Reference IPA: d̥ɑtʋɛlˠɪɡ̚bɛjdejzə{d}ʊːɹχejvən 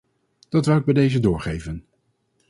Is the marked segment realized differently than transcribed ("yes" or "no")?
no